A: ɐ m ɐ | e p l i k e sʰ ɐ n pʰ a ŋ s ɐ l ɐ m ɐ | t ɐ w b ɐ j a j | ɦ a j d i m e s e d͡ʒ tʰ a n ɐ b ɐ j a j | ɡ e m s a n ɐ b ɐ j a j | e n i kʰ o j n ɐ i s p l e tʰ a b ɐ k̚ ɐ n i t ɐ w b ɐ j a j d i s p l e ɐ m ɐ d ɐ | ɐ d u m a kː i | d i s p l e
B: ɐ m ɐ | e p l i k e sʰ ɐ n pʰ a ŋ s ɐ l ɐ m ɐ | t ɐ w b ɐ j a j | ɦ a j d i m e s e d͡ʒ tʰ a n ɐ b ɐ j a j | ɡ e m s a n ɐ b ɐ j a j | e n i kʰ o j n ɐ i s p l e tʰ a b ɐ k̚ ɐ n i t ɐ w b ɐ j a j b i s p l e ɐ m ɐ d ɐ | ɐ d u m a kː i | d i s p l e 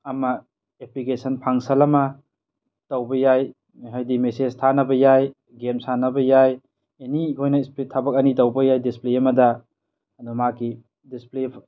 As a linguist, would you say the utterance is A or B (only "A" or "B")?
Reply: A